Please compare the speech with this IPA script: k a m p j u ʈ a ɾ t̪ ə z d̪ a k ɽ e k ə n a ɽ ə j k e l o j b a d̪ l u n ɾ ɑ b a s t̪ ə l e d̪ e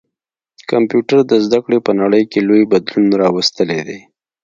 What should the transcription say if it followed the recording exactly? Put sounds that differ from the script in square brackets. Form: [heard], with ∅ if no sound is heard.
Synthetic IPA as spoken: k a m p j u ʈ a ɾ [d̪] ə z d̪ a k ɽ e [p] ə n a ɽ ə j k e l o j b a d̪ l u n ɾ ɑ [w] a s t̪ ə l e d̪ e